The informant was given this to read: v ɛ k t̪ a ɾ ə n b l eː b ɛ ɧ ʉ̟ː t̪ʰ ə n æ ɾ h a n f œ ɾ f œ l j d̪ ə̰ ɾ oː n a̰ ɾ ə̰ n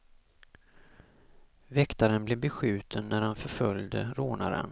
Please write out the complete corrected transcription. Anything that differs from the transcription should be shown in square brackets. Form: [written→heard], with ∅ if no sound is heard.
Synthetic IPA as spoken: v ɛ k t̪ a ɾ ə n b l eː b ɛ ɧ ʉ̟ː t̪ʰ ə [n→nː] æ ɾ h a n f œ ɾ f œ l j d̪ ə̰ ɾ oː n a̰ ɾ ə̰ n